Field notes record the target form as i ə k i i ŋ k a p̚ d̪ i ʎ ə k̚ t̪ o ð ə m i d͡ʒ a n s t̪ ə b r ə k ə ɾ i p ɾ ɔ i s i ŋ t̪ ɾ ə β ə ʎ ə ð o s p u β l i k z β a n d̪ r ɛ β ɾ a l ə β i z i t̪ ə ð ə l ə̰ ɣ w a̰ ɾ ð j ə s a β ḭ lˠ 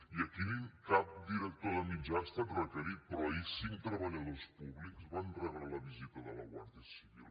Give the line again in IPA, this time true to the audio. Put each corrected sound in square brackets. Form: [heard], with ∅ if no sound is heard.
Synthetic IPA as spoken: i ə k i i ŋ k a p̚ d̪ i [ɾ] ə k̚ t̪ o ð ə m i d͡ʒ a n s t̪ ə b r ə k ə ɾ i p ɾ ɔ i s i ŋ t̪ ɾ ə β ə ʎ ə ð o s p u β l i k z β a n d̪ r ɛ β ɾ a l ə β i z i t̪ ə ð ə l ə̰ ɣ w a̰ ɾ ð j ə s [i] β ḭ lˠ